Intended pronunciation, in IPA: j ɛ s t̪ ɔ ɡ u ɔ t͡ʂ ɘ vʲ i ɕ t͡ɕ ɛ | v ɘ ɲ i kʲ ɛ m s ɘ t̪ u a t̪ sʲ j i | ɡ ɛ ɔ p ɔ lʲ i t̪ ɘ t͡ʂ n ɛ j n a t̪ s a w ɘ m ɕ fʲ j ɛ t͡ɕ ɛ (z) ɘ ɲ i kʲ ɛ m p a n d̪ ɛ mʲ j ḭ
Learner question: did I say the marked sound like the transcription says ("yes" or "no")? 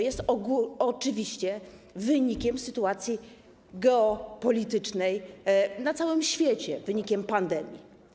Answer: no